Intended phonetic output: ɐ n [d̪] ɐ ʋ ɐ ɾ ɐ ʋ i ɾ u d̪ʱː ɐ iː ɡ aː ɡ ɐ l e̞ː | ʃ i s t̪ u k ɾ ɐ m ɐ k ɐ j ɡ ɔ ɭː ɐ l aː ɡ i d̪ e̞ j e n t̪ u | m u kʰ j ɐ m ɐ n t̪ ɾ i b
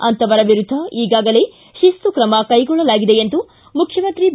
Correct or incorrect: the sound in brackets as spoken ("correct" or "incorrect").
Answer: incorrect